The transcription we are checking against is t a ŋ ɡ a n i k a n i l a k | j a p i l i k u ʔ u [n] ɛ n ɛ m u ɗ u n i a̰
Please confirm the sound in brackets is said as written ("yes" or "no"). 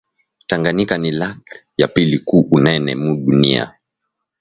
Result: yes